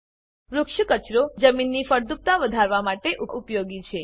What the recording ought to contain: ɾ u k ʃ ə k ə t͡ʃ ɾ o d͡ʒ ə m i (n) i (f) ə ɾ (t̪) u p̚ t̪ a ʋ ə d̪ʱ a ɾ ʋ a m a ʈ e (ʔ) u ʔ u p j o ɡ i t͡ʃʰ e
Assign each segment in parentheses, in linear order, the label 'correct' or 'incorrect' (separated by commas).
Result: incorrect, correct, incorrect, correct